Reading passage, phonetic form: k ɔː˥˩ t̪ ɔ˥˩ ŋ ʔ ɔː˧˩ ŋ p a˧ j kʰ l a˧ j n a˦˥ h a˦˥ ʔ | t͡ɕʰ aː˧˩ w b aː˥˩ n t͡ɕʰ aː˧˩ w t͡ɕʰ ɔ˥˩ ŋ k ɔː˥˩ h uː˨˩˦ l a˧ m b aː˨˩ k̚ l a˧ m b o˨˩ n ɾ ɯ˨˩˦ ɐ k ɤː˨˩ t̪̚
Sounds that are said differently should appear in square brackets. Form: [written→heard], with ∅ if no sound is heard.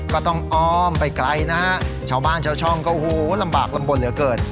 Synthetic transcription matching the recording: k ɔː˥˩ t̪ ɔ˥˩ ŋ ʔ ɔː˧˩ [ŋ→m] p a˧ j [kʰ→k] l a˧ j n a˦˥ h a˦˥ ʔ | t͡ɕʰ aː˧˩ w b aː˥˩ n t͡ɕʰ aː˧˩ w t͡ɕʰ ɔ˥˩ ŋ k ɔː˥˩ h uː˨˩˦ l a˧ m b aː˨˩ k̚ l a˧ m b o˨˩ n [ɾ→l] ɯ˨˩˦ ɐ k ɤː˨˩ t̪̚